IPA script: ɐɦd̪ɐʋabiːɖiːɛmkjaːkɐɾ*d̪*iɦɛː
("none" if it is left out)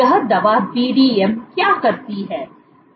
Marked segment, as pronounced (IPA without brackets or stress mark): t̪